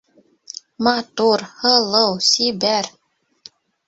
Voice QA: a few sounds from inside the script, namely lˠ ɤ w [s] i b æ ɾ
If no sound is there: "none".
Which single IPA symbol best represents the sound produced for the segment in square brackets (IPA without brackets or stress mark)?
s